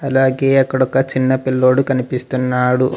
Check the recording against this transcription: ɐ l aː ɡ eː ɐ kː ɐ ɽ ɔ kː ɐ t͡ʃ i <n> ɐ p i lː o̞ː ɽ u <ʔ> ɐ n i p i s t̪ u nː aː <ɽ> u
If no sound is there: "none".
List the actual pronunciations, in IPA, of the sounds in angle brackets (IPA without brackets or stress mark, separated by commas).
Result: nː, k, ɽ